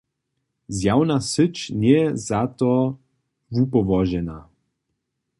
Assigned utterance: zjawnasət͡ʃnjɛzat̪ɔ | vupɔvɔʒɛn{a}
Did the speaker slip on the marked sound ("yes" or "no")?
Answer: no